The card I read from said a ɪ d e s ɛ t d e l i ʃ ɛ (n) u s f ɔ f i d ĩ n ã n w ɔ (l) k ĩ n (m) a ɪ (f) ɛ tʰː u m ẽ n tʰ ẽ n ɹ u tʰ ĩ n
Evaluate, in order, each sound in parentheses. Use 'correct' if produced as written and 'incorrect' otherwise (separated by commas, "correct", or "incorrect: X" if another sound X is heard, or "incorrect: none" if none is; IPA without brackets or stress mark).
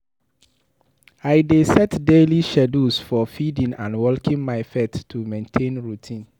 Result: incorrect: d, correct, correct, correct